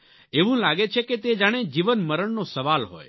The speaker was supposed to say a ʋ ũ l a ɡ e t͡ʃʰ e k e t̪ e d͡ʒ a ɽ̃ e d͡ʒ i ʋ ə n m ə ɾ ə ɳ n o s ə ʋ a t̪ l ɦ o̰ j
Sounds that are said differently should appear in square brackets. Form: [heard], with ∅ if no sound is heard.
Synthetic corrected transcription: [e] ʋ ũ l a ɡ e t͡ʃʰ e k e t̪ e d͡ʒ a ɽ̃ e d͡ʒ i ʋ ə n m ə ɾ ə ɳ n o s ə ʋ a [∅] l ɦ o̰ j

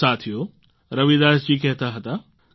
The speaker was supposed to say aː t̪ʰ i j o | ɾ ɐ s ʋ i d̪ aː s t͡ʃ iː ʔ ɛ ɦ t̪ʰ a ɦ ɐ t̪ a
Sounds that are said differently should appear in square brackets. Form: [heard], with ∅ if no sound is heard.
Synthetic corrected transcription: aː t̪ʰ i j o | ɾ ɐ [∅] ʋ i d̪ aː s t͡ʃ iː [k] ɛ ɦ [t̪] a ɦ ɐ t̪ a

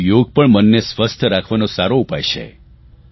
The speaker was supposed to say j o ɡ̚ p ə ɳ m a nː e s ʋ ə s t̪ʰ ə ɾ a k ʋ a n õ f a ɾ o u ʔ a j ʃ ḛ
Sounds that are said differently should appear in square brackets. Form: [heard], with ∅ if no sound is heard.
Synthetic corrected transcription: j o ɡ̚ p ə ɳ m [ə] nː e s ʋ ə s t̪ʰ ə ɾ a [kʰ] ʋ a n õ [s] a ɾ o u [p] a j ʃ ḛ

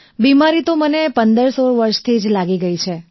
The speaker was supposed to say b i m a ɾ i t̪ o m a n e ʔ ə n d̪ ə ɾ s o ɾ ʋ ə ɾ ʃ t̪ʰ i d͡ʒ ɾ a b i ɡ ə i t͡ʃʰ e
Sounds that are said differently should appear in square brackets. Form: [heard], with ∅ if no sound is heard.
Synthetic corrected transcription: b i m a ɾ i t̪ o m [ə] n e [p] ə n d̪ ə ɾ s o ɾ ʋ ə ɾ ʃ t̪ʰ i d͡ʒ [l] a [ɡ] i ɡ ə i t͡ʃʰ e

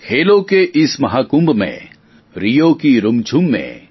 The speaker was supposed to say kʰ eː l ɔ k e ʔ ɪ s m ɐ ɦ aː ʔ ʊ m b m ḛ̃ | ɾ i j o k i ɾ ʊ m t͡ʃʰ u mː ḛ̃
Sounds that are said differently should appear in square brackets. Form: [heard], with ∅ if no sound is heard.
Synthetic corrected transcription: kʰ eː l [o] k e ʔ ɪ s m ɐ ɦ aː [k] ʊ m b m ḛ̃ | ɾ i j o k i ɾ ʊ m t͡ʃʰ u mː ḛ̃

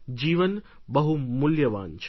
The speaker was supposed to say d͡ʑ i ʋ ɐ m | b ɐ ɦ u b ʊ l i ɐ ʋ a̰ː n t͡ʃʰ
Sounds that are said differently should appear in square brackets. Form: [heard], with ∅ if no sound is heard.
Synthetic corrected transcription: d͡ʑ [iː] ʋ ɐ [n] | b ɐ ɦ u [m] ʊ l [j] ɐ ʋ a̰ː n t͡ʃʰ

